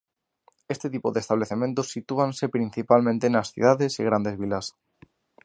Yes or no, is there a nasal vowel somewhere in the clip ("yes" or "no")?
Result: yes